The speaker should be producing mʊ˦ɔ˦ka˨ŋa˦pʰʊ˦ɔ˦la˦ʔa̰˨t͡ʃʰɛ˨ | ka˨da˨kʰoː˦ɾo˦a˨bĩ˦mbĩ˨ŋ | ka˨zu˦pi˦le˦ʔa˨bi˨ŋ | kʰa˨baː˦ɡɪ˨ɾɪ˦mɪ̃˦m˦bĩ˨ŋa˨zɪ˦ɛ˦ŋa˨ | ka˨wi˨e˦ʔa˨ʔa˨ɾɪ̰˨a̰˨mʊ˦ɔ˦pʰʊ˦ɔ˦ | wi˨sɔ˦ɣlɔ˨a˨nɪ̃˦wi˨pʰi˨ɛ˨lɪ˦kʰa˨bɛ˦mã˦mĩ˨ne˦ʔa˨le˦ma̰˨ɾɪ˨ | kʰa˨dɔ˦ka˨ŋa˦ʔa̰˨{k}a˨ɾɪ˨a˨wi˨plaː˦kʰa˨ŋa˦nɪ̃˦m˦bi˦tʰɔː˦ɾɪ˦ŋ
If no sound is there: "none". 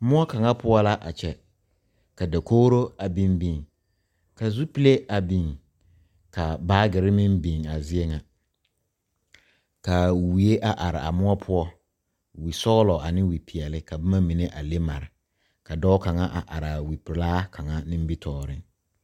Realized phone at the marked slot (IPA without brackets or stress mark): ʔ